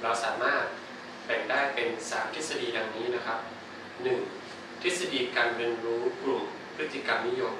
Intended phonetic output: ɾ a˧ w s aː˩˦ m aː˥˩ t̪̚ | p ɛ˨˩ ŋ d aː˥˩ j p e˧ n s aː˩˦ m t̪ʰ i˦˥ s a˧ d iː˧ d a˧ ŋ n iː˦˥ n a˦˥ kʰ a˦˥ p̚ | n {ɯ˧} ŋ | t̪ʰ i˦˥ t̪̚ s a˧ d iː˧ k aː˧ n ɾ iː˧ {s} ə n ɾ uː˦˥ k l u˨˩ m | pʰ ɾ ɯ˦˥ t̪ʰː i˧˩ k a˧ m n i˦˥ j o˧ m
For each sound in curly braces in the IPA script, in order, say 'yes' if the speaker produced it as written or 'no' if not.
no, no

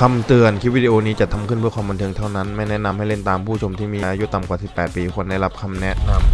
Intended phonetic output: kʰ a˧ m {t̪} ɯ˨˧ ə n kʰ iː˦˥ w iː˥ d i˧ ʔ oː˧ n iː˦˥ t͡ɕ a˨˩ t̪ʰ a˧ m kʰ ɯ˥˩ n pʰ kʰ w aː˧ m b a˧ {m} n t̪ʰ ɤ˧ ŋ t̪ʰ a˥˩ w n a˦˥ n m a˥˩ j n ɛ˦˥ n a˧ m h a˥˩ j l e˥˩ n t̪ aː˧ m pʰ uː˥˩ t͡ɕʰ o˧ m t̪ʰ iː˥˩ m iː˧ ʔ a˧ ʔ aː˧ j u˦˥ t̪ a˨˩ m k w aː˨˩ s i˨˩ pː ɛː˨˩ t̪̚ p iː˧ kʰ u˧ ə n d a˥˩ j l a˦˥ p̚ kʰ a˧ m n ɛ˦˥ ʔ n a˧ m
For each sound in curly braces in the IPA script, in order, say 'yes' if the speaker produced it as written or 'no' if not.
yes, no

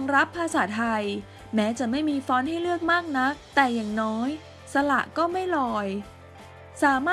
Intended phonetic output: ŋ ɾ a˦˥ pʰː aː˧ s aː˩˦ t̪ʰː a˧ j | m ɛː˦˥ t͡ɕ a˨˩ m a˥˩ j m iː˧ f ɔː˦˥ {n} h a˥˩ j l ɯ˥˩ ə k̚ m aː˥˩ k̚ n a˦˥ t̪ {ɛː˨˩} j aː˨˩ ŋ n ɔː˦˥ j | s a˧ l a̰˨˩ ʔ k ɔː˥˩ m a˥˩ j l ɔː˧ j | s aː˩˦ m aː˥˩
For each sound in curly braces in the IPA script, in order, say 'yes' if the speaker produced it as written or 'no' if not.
yes, yes

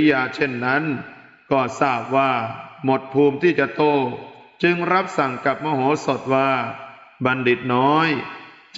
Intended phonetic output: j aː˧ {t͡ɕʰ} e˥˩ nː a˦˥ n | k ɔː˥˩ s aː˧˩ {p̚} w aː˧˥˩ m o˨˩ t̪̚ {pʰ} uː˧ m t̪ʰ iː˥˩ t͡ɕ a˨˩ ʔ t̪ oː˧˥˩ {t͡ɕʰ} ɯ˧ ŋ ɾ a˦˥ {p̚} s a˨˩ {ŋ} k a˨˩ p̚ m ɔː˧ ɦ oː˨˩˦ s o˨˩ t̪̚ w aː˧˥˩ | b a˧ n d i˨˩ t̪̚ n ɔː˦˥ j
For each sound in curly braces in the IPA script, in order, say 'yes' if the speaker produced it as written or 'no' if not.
yes, yes, yes, no, yes, yes

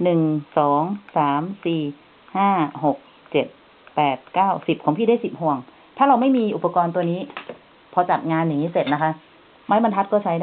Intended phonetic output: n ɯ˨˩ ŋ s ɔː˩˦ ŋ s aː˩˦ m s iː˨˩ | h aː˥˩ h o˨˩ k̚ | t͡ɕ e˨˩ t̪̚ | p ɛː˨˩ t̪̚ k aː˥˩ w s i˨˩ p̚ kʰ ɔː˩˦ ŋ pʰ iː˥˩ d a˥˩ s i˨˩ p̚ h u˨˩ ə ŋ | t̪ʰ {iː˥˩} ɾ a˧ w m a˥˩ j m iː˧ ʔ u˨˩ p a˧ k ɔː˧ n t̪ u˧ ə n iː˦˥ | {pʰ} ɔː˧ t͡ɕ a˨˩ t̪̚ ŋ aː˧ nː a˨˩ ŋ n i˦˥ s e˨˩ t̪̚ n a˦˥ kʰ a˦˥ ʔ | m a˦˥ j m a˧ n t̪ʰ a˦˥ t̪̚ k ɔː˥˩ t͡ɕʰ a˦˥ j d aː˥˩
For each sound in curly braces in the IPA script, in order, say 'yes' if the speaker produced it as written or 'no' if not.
no, yes

